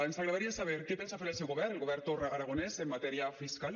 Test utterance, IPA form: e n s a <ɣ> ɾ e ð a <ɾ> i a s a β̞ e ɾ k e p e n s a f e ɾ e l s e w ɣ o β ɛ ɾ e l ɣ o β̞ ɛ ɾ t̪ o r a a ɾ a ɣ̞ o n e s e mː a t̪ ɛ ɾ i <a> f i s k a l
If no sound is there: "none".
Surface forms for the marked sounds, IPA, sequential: ɣ, ɾ, a

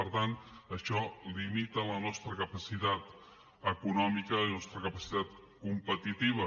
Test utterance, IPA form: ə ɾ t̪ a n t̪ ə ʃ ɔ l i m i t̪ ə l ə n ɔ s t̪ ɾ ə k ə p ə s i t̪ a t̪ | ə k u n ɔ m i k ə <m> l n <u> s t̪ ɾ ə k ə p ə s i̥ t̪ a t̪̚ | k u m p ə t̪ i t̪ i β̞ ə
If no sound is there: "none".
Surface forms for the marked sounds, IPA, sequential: none, ɔ

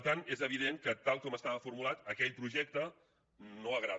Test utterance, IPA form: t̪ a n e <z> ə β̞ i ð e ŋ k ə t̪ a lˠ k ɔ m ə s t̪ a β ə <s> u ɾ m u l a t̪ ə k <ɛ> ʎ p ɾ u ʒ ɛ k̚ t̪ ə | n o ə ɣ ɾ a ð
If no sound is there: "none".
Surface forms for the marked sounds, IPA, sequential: z, f, ɛ

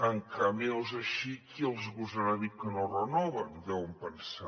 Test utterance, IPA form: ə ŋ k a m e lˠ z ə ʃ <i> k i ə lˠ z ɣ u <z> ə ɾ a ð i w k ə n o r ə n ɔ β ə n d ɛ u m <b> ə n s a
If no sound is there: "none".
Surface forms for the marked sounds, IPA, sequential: i, z, p

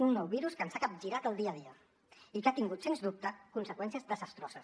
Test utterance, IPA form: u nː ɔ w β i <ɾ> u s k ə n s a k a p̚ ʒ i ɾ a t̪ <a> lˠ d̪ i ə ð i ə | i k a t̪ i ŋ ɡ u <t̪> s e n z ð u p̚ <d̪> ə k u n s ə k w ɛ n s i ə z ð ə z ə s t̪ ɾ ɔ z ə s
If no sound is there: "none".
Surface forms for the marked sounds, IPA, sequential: ɾ, ə, t̪, t̪

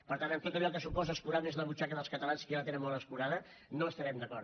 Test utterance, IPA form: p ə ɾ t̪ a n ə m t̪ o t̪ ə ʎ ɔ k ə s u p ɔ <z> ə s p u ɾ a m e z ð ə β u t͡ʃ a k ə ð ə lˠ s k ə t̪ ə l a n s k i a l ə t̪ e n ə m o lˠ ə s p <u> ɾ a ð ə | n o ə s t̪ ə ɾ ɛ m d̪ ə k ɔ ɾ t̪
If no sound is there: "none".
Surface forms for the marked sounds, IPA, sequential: z, u

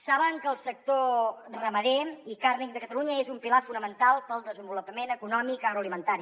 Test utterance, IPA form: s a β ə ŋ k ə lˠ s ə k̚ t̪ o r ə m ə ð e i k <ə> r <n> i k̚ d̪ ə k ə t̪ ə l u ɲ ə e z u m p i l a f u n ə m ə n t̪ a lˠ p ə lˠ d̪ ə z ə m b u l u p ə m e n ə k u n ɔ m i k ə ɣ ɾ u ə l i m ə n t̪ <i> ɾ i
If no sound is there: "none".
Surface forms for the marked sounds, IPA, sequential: a, n, a

